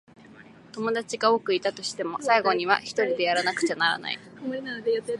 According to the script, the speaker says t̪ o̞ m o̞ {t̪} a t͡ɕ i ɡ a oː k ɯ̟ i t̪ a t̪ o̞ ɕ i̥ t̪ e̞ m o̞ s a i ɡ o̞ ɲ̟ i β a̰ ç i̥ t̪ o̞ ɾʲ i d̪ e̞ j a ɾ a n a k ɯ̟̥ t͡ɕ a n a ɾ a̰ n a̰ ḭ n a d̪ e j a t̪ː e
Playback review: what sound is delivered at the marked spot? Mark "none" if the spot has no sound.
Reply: d̪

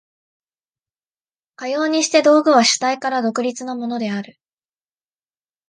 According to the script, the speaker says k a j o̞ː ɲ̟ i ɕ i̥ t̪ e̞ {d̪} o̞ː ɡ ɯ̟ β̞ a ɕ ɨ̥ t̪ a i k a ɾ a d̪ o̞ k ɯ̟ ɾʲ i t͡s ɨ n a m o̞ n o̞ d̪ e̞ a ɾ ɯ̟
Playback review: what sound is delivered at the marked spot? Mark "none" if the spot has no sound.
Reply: d̪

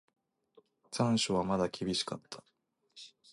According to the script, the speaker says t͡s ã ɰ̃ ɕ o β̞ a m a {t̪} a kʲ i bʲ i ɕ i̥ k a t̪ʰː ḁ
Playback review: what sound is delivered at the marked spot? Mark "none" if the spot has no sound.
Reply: d̪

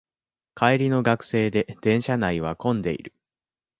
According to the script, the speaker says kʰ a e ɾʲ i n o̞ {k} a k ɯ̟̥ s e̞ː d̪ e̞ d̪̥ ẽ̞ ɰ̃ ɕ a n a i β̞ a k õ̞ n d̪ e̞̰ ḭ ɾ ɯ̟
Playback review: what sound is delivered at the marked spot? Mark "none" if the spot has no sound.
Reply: ɡ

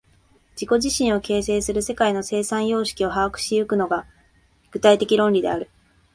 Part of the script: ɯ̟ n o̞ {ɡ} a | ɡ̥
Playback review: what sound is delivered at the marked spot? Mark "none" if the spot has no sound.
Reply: ɡ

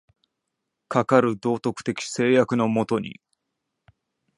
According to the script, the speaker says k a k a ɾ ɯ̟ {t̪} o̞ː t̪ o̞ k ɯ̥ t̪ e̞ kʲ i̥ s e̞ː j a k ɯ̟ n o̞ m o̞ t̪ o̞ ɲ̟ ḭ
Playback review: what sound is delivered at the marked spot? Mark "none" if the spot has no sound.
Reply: d̪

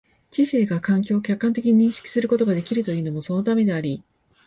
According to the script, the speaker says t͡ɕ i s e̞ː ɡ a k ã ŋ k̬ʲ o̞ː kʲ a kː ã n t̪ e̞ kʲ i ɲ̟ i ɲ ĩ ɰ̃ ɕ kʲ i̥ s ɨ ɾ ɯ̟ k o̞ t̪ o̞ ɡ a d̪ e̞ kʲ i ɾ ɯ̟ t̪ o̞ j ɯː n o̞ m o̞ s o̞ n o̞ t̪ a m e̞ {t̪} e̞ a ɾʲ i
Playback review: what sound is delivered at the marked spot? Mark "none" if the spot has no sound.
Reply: d̪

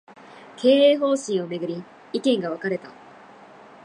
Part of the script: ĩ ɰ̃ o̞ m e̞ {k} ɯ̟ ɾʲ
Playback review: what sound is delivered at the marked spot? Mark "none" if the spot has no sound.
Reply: ɡ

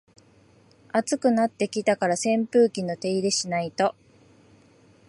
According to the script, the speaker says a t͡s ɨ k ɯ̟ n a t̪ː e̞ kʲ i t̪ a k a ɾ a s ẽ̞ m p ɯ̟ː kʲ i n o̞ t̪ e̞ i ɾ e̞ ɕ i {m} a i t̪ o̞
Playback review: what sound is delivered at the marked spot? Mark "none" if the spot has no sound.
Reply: n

